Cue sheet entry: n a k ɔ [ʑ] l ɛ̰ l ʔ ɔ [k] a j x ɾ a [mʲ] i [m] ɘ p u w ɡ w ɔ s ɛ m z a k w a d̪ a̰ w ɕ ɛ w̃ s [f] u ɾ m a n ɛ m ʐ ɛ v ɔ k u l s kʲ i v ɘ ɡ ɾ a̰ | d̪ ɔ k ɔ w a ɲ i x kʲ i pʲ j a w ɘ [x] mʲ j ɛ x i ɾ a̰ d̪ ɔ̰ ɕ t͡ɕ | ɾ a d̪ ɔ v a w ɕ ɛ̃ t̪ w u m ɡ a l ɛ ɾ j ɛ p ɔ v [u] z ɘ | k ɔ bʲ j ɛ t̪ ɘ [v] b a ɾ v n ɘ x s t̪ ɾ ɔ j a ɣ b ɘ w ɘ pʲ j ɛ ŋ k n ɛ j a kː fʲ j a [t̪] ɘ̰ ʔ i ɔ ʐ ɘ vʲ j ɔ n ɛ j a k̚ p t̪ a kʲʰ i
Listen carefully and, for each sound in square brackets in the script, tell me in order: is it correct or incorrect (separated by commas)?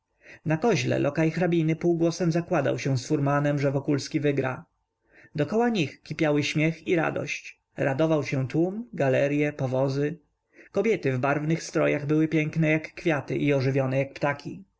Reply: correct, correct, incorrect, incorrect, correct, incorrect, incorrect, correct, correct